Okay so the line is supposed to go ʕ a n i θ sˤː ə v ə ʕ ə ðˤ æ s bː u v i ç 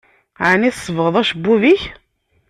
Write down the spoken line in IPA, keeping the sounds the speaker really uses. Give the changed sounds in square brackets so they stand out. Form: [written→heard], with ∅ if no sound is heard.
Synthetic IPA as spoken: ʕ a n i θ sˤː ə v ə [ʕ→ʁ] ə ðˤ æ [s→ʃ] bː u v i ç